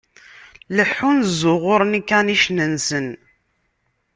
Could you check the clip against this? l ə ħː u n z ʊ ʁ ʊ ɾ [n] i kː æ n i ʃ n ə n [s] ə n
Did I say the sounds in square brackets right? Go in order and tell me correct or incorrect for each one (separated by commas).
correct, correct